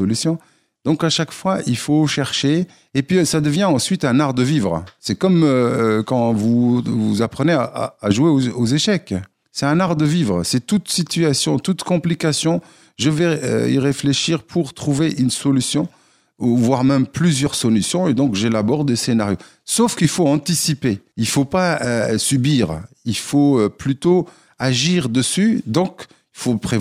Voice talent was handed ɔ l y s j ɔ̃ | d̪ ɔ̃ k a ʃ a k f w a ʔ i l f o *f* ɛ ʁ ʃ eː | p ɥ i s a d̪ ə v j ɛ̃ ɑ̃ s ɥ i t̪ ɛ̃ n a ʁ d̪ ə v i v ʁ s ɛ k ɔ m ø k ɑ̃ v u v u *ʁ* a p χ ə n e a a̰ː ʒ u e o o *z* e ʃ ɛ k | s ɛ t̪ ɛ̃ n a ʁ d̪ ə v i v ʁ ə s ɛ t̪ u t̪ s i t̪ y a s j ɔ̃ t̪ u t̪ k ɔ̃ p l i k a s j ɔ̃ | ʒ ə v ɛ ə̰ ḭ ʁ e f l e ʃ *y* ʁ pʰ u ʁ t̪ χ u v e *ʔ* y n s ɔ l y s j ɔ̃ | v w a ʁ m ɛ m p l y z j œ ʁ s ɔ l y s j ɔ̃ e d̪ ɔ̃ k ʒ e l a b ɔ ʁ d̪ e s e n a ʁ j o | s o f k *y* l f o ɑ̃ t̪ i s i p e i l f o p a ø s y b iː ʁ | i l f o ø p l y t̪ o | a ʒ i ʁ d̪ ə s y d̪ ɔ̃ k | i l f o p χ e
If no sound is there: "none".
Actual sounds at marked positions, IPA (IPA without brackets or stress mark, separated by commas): ʃ, z, z, i, ʔ, i